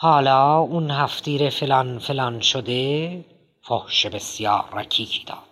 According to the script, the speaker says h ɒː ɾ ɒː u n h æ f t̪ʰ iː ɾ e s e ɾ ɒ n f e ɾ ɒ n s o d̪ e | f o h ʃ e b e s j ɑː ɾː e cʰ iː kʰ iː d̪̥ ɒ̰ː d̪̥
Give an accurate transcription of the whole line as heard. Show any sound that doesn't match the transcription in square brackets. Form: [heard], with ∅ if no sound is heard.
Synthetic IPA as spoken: h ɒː [l] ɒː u n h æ f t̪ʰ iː ɾ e [f] e [l] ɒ n f e [l] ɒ n [ʃ] o d̪ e | f o h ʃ e b e s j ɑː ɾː [æ] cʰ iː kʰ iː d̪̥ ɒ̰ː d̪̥